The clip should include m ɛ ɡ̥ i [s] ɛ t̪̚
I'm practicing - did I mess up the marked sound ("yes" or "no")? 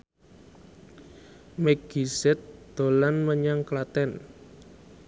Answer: no